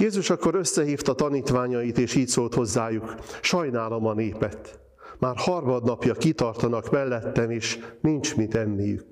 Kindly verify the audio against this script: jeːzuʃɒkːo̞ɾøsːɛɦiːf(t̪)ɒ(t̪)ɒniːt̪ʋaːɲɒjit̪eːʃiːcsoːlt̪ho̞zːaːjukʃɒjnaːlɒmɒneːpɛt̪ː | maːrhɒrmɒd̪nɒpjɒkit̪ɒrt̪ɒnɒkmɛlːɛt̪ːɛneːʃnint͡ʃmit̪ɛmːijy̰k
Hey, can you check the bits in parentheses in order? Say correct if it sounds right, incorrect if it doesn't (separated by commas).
correct, correct